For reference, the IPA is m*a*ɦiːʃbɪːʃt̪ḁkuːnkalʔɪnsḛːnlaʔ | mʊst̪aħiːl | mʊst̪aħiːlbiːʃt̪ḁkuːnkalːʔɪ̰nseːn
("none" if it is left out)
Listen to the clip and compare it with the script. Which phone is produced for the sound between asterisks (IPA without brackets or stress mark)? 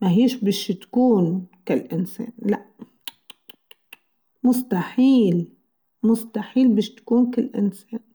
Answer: a